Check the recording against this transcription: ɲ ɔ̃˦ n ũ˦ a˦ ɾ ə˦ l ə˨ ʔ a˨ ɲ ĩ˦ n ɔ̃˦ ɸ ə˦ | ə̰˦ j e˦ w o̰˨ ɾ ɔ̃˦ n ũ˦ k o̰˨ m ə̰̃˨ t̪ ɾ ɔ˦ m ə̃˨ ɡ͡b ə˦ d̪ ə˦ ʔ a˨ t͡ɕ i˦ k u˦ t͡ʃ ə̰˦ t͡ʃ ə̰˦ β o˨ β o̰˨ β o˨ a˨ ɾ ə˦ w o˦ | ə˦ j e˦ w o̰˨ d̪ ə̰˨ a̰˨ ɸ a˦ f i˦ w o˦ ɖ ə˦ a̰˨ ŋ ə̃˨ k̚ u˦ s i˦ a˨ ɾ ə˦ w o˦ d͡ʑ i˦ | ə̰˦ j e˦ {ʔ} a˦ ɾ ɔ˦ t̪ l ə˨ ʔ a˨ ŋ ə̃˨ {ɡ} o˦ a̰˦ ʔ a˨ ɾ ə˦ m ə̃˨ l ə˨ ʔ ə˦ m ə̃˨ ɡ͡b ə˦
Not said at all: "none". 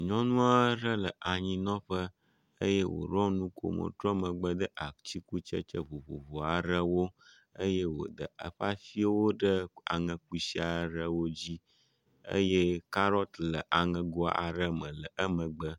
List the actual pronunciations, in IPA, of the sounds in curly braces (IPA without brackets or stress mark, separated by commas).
k, ɡ